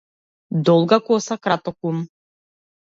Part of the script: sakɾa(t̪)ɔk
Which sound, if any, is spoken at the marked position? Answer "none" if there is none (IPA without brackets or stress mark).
t̪